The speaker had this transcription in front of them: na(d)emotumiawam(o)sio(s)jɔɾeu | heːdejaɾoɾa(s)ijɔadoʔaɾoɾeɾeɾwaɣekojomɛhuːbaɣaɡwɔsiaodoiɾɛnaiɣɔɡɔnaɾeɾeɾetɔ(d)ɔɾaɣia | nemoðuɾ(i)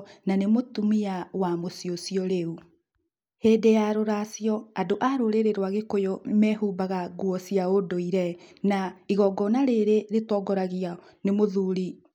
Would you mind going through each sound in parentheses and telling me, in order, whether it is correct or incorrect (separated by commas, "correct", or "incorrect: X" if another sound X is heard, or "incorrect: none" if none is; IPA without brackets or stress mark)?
incorrect: n, correct, correct, correct, incorrect: ɡ, correct